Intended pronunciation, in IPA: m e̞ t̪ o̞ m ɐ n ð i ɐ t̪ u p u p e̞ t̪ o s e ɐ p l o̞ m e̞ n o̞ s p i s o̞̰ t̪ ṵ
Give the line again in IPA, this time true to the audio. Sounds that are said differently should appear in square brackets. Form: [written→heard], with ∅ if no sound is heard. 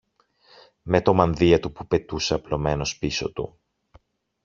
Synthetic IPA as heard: m e̞ t̪ o̞ m ɐ n ð i ɐ t̪ u p u p e̞ t̪ [o→u] s e ɐ p l o̞ m e̞ n o̞ s p i s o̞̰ t̪ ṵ

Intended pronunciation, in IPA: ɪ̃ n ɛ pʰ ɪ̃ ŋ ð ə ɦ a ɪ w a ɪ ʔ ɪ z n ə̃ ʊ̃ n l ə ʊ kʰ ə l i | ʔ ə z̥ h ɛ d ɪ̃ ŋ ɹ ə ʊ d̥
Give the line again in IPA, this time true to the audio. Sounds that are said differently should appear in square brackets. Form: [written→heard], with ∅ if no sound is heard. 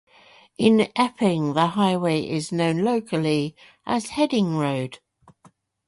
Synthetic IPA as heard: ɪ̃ n ɛ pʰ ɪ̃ ŋ ð ə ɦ a ɪ w [a→e] ɪ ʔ ɪ z n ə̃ ʊ̃ n l ə ʊ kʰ ə l i | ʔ ə z̥ h ɛ d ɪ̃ ŋ ɹ ə ʊ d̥

